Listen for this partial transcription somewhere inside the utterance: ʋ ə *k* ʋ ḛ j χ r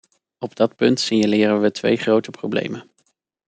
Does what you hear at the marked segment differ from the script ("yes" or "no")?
yes